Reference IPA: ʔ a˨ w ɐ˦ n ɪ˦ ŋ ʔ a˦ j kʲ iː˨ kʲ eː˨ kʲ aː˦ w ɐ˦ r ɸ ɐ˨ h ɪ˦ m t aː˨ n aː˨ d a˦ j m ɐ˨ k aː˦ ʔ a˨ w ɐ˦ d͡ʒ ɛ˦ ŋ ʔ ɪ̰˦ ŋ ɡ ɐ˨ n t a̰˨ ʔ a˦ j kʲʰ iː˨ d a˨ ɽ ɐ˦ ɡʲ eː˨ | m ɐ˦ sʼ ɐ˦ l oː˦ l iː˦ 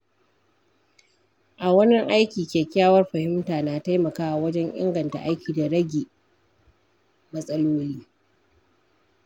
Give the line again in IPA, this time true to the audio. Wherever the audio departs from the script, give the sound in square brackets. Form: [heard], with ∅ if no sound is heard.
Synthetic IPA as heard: ʔ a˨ w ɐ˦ n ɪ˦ ŋ ʔ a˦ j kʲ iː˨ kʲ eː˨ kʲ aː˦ w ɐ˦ r ɸ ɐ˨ h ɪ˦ m t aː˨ n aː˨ [t] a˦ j m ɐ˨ k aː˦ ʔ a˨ w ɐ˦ d͡ʒ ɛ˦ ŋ ʔ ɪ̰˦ ŋ ɡ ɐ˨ n t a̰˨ ʔ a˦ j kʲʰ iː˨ d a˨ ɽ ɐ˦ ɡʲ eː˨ | m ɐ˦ sʼ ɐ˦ l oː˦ l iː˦